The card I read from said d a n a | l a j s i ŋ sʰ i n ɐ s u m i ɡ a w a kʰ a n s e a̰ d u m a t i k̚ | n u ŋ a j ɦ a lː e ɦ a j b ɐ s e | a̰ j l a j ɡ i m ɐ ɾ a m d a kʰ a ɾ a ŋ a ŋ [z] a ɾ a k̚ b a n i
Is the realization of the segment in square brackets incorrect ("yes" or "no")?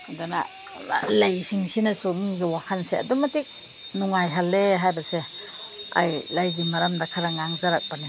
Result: no